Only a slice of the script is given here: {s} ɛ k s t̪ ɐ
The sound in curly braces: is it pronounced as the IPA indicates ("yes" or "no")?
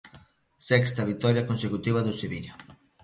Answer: yes